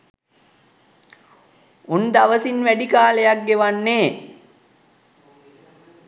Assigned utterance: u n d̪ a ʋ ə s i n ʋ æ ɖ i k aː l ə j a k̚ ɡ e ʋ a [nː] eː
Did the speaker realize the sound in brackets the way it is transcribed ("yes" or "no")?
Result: yes